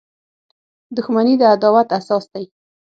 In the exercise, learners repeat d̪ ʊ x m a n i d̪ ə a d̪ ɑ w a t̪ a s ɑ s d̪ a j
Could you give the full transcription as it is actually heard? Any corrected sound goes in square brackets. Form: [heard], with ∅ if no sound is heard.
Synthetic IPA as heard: d̪ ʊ x m a n i d̪ ə a d̪ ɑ w a t̪ a s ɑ s d̪ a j